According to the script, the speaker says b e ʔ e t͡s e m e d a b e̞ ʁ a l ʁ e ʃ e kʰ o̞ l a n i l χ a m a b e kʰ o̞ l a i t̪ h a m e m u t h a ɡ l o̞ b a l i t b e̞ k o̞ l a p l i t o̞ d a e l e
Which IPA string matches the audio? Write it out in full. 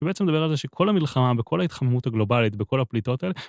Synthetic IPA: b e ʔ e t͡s e m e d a b e̞ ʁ a l z e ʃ e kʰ o̞ l a m i l χ a m a b e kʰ o̞ l a i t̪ χ a m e m u t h a ɡ l o̞ b a l i t b e̞ k o̞ l a p l i t o̞ t a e l e

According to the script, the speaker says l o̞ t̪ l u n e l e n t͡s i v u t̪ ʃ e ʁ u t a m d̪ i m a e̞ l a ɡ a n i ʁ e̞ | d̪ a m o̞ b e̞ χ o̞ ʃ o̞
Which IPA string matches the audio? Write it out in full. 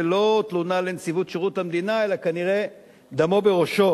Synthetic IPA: l o̞ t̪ l u n a l e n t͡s i v u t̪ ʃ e ʁ u t a m d̪ i n a e̞ l a k a n i ʁ e̞ | d̪ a m o̞ b e̞ ʁ o̞ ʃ o̞

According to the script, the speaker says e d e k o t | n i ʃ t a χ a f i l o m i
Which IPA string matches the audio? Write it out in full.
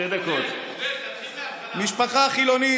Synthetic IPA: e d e k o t | m i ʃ p a χ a χ i l o n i

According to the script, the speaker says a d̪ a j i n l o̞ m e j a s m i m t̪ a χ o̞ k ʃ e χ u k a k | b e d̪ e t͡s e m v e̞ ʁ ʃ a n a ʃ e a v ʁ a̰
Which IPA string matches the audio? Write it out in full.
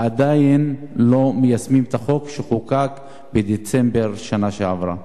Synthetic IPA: a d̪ a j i n l o̞ m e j a s m i m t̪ a χ o̞ k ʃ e χ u k a k | b e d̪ e t͡s e m b e̞ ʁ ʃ a n a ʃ e a v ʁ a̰

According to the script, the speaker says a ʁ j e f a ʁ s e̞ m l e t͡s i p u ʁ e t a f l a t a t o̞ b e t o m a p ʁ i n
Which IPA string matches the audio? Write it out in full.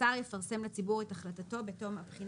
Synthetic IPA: a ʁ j e f a ʁ s e̞ m l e t͡s i b u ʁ e t a χ l a t a t o̞ b e t o m a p χ i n

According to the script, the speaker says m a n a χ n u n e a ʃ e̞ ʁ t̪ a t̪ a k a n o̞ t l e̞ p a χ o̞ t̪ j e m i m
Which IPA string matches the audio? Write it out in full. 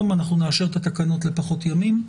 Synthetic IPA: m a n a χ n u n e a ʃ e̞ ʁ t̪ a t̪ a k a n o̞ t l e̞ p a χ o̞ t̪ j a m i m

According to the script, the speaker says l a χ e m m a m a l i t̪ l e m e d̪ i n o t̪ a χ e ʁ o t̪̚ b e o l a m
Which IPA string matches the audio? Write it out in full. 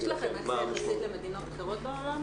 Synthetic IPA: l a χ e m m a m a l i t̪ l e m e d̪ i n o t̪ a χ e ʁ o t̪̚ b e o l a m

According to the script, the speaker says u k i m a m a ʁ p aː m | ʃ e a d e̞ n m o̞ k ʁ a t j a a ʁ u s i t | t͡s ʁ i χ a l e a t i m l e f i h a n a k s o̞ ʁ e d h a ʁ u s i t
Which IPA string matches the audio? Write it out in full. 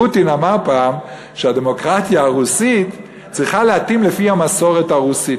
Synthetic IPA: u t i n a m a ʁ p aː m | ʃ e a d e̞ m o̞ k ʁ a t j a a ʁ u s i t | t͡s ʁ i χ a l e a t i m l e f i h a m a s o̞ ʁ e t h a ʁ u s i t

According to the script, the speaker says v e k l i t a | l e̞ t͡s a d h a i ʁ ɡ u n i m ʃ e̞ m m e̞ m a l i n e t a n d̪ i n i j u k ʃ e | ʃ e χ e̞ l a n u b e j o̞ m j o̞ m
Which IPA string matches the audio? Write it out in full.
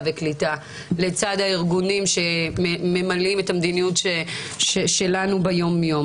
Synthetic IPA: v e k l i t a | l e̞ t͡s a d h a i ʁ ɡ u n i m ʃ e̞ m m e̞ m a l i m e t a m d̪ i n i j u t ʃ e | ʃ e ʃ e̞ l a n u b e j o̞ m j o̞ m

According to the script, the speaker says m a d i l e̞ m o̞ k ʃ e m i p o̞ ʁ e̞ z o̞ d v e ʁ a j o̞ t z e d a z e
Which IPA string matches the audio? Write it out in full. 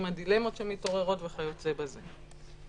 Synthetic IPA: m a d i l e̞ m o̞ t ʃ e m i t o̞ ʁ e̞ ʁ o̞ t v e χ a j o̞ t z e b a z e

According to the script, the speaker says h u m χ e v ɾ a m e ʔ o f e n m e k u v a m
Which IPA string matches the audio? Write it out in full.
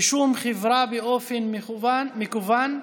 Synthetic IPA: ʃ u m χ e v ɾ a b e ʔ o f e n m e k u v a n

